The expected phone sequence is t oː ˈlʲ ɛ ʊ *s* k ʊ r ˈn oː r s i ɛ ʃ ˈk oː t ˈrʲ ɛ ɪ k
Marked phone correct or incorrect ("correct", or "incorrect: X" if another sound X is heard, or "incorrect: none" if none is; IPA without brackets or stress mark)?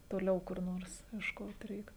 incorrect: none